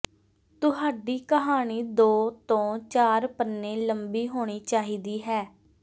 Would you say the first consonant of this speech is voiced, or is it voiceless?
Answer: voiceless